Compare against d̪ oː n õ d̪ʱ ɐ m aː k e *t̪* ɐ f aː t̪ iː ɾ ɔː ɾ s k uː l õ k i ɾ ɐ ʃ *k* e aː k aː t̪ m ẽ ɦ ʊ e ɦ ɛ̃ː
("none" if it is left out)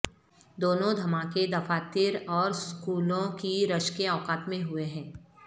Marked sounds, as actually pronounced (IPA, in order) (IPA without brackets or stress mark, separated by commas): d̪, k